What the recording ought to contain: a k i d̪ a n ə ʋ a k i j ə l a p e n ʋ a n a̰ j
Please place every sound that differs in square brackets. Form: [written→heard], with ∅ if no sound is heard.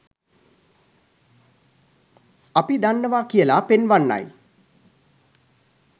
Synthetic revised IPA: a [k→p] i d̪ a [n→nː] ə ʋ a k i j ə l a p e n ʋ a [n→nː] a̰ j